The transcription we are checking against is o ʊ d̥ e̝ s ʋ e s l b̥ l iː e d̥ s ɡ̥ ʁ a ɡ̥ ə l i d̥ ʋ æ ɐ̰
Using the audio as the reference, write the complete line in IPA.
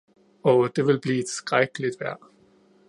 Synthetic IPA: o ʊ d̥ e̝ ʋ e l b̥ l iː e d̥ s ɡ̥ ʁ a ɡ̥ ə l i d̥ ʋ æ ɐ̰